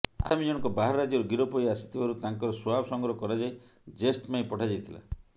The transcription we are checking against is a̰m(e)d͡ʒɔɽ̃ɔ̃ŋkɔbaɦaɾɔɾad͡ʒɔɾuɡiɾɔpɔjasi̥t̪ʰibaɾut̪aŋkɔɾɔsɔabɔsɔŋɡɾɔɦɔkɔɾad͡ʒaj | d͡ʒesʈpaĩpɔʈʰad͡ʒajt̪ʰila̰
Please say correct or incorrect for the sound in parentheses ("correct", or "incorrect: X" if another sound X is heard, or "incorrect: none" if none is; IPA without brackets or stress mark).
incorrect: i